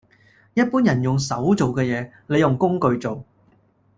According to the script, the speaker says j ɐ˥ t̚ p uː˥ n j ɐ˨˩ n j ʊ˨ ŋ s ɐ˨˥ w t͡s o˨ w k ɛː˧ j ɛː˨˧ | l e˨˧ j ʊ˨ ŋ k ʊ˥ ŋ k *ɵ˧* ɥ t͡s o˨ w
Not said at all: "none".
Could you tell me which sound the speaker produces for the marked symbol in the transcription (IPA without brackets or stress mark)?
ɵ˧